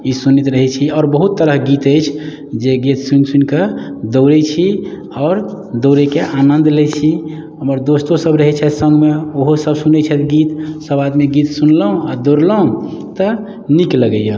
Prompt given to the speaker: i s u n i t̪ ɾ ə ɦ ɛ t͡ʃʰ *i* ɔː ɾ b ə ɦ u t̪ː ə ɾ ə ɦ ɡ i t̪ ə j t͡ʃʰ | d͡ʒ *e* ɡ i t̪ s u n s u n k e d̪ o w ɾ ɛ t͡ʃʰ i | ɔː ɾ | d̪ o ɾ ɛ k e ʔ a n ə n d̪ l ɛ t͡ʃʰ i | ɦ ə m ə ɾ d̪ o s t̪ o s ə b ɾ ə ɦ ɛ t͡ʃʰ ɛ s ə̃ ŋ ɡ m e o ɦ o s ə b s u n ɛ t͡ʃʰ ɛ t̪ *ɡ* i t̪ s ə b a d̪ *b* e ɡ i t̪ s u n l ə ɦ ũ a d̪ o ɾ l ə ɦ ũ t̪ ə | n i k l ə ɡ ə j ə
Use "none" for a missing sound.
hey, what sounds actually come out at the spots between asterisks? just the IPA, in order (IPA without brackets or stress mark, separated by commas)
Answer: i, e, ɡ, m